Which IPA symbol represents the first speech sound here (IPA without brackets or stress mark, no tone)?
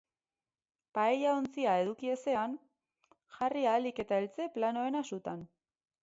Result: p